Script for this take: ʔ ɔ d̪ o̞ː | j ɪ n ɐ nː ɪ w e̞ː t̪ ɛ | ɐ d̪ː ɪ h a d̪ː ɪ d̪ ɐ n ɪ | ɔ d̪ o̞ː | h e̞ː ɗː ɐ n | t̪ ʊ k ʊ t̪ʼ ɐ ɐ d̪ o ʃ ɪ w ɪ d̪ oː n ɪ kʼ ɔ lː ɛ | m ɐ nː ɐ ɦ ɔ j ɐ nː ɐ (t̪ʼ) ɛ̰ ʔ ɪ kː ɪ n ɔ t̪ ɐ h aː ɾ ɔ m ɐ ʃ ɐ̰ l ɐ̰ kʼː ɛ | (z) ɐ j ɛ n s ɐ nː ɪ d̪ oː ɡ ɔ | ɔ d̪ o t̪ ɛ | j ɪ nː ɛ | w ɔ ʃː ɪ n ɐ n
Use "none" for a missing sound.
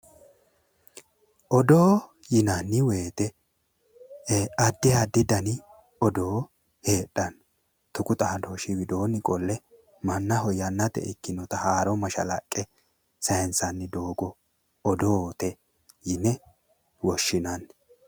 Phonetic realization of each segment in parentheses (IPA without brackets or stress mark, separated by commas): t̪, s